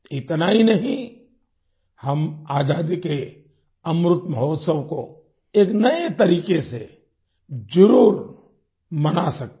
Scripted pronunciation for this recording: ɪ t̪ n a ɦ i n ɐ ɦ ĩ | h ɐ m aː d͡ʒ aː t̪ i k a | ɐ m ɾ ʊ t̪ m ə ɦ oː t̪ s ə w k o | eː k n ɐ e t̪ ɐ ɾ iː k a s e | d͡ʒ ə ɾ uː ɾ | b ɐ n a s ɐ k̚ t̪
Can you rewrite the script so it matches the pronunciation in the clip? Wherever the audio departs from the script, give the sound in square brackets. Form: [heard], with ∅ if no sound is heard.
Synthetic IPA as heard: ɪ t̪ n a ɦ i n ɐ ɦ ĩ | h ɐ m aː d͡ʒ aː [d̪] i k [e] | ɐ m ɾ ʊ t̪ m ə ɦ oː t̪ s ə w k o | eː k n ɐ e t̪ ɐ ɾ iː k [e] s e | d͡ʒ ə ɾ uː ɾ | [m] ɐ n a s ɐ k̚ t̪

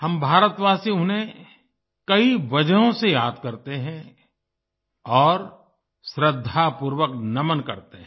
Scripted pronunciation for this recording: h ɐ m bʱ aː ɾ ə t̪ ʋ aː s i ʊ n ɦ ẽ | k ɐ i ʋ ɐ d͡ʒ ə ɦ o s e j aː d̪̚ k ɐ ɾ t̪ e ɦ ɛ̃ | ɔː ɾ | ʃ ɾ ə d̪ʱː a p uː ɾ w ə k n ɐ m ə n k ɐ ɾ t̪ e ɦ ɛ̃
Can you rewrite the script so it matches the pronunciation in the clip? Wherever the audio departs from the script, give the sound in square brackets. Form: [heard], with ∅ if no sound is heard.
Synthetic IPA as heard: h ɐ m bʱ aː ɾ ə t̪ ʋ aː s i ʊ n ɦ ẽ | k ɐ i ʋ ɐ d͡ʒ ə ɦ [õ] s e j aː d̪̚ k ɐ ɾ t̪ e ɦ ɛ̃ | ɔː ɾ | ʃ ɾ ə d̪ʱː a p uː ɾ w ə k n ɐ m ə n k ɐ ɾ t̪ e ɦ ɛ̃

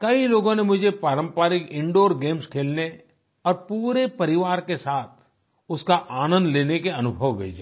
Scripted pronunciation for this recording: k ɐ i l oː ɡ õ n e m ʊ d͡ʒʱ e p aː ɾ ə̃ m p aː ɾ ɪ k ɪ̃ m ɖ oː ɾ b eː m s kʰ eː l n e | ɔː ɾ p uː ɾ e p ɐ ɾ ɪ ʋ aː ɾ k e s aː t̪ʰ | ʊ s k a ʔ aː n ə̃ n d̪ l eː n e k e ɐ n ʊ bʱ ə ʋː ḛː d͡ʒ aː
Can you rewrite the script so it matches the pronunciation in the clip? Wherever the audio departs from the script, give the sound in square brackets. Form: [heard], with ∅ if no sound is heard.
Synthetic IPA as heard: k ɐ i l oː ɡ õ n e m ʊ d͡ʒʱ e p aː ɾ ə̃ m p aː ɾ ɪ k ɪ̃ [ɳ] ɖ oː ɾ [ɡ] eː m s kʰ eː l n e | ɔː ɾ p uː ɾ e p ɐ ɾ ɪ ʋ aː ɾ k e s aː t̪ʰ | ʊ s k a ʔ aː n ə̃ n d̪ l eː n e k e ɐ n ʊ bʱ ə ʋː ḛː d͡ʒ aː

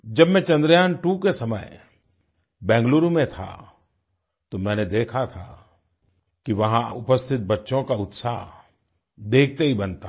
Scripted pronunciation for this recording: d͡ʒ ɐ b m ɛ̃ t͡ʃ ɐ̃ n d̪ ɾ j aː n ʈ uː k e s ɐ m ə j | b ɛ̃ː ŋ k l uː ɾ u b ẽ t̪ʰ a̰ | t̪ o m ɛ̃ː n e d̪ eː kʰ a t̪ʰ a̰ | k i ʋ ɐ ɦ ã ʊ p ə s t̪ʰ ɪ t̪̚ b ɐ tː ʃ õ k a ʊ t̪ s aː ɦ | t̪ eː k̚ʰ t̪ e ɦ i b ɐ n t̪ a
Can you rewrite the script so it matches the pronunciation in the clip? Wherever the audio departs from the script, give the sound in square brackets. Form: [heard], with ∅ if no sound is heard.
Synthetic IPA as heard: d͡ʒ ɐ b m ɛ̃ t͡ʃ ɐ̃ n d̪ ɾ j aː n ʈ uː k e s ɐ m ə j | b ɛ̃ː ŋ [ɡ] l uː ɾ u [m] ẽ t̪ʰ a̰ | t̪ o m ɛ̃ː n e d̪ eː kʰ a t̪ʰ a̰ | k i ʋ ɐ ɦ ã ʊ p ə s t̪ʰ ɪ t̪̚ b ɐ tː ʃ õ k a ʊ t̪ s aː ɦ | [d̪] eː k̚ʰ t̪ e ɦ i b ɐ n t̪ a

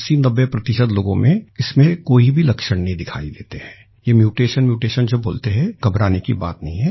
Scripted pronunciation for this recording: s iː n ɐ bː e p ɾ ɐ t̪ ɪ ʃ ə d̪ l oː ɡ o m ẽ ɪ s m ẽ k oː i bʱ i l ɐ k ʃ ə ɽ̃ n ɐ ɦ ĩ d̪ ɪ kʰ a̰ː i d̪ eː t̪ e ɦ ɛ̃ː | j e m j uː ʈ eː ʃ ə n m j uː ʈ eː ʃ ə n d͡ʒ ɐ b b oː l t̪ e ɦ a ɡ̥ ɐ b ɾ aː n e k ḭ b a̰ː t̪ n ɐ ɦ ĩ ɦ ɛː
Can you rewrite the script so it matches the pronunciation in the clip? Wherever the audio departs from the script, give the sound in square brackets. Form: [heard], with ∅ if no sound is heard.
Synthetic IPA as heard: s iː n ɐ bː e p ɾ ɐ t̪ ɪ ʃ ə d̪ l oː ɡ [õ] m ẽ ɪ s m ẽ k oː i bʱ i l ɐ k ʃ ə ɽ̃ n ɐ ɦ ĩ d̪ ɪ kʰ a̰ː i d̪ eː t̪ e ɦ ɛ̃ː | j e m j uː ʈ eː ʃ ə n m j uː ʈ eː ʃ ə n d͡ʒ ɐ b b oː l t̪ e ɦ [ɛ] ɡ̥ ɐ b ɾ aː n e k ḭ b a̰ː t̪ n ɐ ɦ ĩ ɦ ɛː

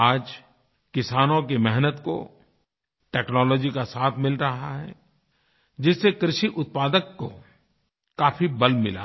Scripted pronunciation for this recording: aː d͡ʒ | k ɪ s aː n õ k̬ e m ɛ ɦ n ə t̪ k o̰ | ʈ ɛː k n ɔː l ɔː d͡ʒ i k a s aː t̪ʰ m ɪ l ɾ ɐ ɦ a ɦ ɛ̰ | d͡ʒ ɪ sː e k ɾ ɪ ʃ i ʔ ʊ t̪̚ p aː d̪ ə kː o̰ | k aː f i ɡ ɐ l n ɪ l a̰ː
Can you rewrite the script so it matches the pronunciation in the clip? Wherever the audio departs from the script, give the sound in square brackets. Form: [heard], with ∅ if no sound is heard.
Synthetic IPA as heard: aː d͡ʒ | k ɪ s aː n õ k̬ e m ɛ ɦ n ə t̪ k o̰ | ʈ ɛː k n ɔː l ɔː d͡ʒ i k a s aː t̪ʰ m ɪ l ɾ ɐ ɦ a ɦ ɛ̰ | d͡ʒ ɪ sː e k ɾ ɪ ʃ i ʔ ʊ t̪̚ p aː d̪ ə kː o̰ | k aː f i [b] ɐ l [m] ɪ l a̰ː

